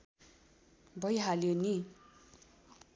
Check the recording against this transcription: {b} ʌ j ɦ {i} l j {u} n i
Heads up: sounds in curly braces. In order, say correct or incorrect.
correct, incorrect, incorrect

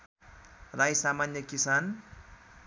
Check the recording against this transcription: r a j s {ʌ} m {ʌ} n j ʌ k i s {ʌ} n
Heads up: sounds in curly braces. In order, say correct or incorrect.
incorrect, incorrect, incorrect

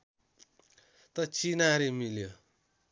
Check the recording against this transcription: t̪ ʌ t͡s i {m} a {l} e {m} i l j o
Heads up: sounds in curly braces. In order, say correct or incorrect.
incorrect, incorrect, correct

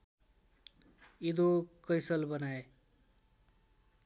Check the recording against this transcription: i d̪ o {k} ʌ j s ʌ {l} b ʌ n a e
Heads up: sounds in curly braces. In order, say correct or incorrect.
correct, correct

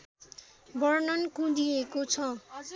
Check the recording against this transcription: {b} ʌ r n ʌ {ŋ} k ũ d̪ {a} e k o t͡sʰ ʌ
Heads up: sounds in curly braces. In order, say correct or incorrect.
correct, incorrect, incorrect

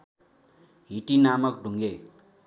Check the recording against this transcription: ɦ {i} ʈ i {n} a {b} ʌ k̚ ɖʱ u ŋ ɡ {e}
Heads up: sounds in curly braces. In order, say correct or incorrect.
correct, correct, incorrect, correct

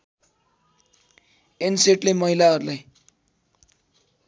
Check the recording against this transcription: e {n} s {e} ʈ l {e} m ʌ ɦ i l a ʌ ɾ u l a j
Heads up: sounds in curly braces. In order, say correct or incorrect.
correct, correct, correct

